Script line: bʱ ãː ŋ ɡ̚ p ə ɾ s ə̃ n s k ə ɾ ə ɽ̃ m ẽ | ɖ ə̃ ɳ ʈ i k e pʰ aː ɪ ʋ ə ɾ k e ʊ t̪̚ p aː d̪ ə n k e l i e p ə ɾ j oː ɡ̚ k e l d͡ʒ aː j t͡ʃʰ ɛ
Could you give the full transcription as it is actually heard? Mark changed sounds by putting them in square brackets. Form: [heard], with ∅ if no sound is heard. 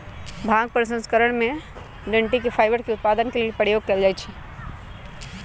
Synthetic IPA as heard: bʱ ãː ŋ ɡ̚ p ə ɾ s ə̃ n s k ə ɾ ə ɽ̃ m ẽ | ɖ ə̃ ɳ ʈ i k e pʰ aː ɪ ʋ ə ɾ k e ʊ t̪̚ p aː d̪ ə n k e l i e p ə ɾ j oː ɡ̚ k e l d͡ʒ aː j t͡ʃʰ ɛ